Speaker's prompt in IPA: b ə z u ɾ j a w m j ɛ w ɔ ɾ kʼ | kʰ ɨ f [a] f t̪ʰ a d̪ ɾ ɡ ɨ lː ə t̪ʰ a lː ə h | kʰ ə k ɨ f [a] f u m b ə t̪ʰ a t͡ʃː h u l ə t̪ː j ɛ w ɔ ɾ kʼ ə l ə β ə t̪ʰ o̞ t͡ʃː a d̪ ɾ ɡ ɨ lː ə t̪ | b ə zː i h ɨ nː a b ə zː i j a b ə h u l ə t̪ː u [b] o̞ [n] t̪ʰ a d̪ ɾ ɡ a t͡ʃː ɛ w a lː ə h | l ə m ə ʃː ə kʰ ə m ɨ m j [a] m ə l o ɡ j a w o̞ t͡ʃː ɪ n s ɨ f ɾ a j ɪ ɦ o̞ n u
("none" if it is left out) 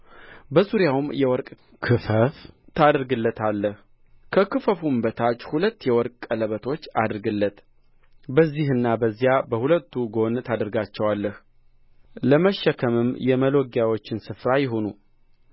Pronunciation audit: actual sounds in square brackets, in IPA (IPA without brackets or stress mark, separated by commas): ə, ə, ɡ, n, ɛ